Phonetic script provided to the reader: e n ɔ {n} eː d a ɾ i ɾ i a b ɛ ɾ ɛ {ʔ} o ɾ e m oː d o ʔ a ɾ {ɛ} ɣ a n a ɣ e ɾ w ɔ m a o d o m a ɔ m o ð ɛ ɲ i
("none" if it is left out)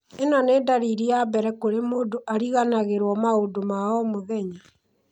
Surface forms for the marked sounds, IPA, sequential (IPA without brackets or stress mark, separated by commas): n, k, i